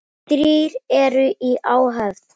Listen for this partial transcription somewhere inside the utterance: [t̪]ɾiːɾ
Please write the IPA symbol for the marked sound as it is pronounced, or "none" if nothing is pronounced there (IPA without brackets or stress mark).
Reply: t̪